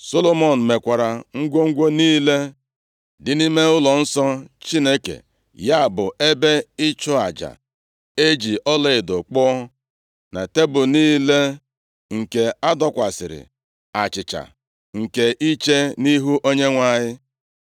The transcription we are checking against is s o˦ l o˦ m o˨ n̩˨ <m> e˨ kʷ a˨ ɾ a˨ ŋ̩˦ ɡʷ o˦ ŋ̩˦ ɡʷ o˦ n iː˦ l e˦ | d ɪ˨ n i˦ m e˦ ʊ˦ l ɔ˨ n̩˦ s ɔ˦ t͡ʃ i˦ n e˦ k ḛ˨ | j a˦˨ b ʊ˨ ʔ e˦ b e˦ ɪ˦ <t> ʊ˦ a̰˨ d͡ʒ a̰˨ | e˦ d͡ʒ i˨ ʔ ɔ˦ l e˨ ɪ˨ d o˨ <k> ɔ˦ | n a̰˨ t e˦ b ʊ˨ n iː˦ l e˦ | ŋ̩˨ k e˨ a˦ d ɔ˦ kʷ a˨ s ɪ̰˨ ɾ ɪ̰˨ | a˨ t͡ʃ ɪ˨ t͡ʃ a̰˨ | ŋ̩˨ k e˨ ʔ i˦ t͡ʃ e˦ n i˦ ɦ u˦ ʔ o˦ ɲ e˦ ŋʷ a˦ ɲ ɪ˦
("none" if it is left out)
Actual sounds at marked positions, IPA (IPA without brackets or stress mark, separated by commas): m, t͡ʃ, k͡p